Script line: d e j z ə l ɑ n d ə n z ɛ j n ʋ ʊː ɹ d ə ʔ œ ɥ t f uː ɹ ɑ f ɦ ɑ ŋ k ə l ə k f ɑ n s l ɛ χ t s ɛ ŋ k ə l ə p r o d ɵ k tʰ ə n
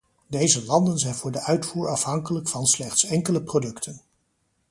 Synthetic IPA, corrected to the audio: d e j z ə l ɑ n d ə n z ɛ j n v ʊː ɹ d ə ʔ œ ɥ t f uː ɹ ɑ f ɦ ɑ ŋ k ə l ə k f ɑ n s l ɛ χ t s ɛ ŋ k ə l ə p r o d ɵ k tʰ ə n